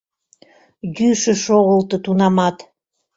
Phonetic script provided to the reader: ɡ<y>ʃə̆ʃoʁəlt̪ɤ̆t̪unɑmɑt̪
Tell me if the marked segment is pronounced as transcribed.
yes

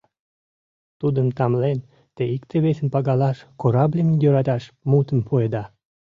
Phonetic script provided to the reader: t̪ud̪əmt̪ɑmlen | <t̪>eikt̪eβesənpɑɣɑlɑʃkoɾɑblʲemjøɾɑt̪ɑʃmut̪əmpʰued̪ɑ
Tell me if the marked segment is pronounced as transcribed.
yes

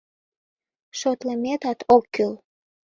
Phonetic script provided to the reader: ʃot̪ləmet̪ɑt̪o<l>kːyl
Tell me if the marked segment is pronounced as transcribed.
no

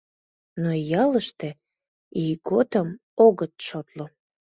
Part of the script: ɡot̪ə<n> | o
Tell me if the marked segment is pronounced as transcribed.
no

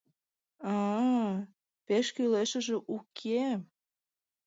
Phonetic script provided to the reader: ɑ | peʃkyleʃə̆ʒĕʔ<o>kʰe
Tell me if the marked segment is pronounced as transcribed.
no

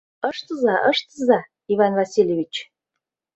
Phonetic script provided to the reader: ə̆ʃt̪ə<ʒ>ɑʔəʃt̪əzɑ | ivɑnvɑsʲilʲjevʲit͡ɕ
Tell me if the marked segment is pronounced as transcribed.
no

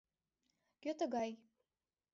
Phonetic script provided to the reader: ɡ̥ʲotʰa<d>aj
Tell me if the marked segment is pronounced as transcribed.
no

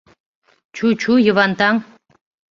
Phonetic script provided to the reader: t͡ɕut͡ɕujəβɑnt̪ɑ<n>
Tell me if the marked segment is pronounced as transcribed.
no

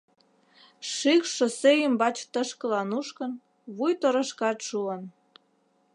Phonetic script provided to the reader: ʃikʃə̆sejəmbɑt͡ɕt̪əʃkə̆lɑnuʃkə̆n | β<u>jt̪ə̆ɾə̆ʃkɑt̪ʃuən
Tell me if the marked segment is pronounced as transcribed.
yes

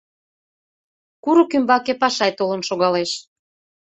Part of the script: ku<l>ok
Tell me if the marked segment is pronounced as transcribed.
no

